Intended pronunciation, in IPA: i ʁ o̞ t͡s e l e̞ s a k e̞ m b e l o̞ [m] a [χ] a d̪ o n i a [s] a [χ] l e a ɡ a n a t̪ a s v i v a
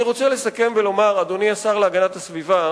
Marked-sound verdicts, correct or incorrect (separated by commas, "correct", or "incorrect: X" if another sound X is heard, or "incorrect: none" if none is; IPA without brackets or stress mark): correct, incorrect: ʁ, correct, incorrect: ʁ